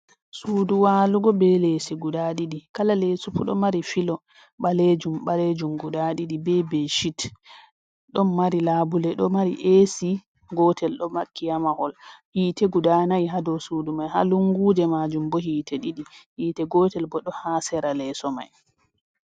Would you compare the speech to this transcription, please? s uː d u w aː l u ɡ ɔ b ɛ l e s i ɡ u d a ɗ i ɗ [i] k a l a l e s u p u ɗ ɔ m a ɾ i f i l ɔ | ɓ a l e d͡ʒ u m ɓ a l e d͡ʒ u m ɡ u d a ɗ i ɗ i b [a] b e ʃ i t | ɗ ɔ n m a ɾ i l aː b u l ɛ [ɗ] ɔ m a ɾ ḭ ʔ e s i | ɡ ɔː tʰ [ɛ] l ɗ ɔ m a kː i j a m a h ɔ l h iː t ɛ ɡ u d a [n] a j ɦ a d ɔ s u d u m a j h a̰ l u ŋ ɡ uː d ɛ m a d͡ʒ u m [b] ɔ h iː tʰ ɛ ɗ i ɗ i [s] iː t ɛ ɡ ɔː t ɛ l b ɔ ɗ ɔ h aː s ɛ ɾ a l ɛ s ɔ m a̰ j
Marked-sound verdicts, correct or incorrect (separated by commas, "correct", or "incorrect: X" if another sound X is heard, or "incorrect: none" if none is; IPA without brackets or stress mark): correct, incorrect: ɛ, correct, correct, correct, correct, incorrect: h